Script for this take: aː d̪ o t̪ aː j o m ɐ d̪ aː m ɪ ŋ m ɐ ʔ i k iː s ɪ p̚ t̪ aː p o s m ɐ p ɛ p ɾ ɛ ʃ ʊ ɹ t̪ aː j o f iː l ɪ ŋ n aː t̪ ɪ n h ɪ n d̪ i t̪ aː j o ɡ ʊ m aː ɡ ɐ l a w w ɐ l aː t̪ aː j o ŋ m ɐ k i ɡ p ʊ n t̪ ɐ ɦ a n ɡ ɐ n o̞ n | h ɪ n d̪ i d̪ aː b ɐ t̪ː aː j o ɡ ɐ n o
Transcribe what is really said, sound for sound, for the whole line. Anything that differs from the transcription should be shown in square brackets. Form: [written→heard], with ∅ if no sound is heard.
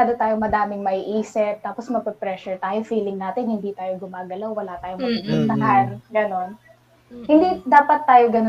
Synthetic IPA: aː d̪ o t̪ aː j o m ɐ d̪ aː m ɪ ŋ m ɐ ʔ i [k→ʔ] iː s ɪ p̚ t̪ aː p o s m ɐ p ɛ p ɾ ɛ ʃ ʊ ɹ t̪ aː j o f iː l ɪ ŋ n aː t̪ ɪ n h ɪ n d̪ i t̪ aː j o ɡ ʊ m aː ɡ ɐ l a w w ɐ l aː t̪ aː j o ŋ m ɐ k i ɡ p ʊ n t̪ ɐ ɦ a n ɡ ɐ n o̞ n | h ɪ n d̪ i d̪ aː [b→p] ɐ t̪ː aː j o ɡ ɐ n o